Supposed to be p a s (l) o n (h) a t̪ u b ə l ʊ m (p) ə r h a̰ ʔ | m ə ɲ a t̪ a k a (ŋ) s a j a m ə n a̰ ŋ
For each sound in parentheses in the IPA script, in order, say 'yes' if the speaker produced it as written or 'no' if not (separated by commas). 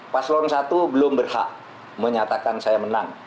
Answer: yes, no, no, no